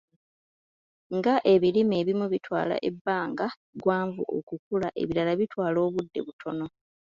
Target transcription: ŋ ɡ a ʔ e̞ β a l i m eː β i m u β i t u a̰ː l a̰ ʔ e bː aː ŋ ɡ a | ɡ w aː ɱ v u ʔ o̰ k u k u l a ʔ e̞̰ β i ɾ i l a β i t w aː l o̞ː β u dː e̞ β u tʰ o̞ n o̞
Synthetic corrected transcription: ŋ ɡ a ʔ e̞ β i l i m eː β i m u β i t w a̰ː l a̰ ʔ e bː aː ŋ ɡ a | ɡ w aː ɱ v u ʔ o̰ k u k u l a ʔ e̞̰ β i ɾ a l a β i t w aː l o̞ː β u dː e̞ β u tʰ o̞ n o̞